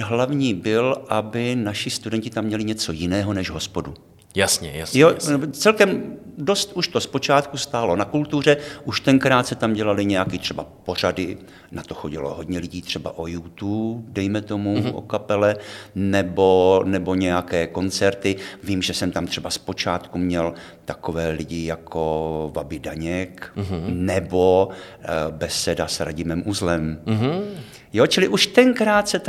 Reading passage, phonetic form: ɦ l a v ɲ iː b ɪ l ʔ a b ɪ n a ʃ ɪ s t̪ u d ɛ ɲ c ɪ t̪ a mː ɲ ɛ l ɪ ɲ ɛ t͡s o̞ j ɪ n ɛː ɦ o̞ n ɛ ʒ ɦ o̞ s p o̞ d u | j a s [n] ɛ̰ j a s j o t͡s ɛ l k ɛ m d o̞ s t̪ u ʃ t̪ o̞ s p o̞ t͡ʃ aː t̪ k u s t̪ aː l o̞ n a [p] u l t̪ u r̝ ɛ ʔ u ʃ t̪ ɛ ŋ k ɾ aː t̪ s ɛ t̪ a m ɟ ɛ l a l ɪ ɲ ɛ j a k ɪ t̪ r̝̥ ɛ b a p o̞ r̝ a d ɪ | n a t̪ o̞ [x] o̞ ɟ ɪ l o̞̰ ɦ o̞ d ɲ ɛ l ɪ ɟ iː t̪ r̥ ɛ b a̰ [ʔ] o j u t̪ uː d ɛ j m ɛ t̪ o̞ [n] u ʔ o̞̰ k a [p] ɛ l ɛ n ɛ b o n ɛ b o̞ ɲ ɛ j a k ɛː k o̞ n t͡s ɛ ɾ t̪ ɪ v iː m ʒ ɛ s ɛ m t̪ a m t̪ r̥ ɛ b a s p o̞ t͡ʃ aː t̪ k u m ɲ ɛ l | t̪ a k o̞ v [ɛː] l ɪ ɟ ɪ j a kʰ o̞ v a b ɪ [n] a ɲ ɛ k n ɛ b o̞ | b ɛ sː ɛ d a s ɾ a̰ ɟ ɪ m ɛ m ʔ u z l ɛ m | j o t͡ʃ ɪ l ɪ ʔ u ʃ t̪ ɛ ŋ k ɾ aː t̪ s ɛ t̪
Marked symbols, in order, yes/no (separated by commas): no, no, yes, yes, no, yes, yes, no